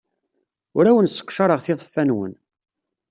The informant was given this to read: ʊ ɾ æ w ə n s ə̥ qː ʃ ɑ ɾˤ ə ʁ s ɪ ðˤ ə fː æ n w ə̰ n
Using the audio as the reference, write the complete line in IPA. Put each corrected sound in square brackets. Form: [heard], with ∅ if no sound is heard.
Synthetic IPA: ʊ ɾ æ w ə n s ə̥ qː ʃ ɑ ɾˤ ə ʁ [θ] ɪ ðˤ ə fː æ n w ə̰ n